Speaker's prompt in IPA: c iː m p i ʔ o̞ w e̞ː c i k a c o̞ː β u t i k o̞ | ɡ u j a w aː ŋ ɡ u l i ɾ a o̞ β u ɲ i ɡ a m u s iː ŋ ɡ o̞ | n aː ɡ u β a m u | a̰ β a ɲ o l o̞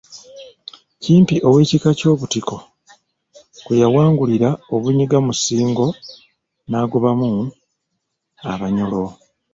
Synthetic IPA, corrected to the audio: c iː m p i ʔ o̞ w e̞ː c i k a c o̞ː β u t i k o̞ | k u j a w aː ŋ ɡ u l i ɾ a o̞ β u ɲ i ɡ a m u s iː ŋ ɡ o̞ | n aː ɡ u β a m u | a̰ β a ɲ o l o̞